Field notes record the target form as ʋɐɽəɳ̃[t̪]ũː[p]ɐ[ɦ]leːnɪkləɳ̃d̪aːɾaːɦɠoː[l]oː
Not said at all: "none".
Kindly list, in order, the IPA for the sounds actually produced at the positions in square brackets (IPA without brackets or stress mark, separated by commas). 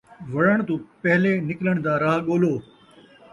t̪, p, ɦ, l